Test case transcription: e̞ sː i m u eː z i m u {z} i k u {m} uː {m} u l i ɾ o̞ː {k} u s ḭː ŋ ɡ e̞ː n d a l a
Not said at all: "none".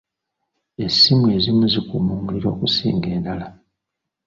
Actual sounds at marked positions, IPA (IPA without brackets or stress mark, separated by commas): z, m, m, k